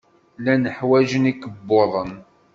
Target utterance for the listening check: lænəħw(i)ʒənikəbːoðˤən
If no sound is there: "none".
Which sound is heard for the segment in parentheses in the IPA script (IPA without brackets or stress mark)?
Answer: æ